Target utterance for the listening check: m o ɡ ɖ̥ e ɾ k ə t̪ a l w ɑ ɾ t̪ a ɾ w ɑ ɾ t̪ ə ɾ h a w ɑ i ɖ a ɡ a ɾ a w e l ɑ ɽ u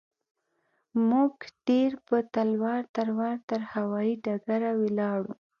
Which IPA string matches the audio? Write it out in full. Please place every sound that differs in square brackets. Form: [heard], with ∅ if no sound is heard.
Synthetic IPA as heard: m [u] ɡ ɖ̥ e ɾ [p] ə t̪ a l w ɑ ɾ t̪ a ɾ w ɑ ɾ t̪ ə ɾ h a w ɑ i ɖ a ɡ a ɾ a w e l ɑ ɽ u